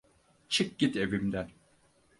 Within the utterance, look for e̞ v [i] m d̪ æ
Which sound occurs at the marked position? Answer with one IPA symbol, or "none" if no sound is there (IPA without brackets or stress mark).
i